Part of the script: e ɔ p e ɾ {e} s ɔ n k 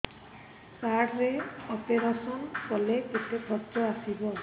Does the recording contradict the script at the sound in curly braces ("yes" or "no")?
yes